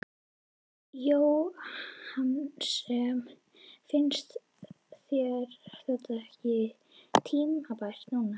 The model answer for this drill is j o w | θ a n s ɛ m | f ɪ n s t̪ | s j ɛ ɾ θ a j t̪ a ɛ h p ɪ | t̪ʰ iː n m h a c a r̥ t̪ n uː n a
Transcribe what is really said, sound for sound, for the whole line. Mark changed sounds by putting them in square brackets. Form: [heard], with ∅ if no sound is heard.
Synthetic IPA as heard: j o w | [h] a n s ɛ m | f ɪ n s t̪ | [θ] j ɛ ɾ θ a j t̪ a ɛ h [c] ɪ | t̪ʰ iː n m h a [p] a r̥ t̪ n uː n a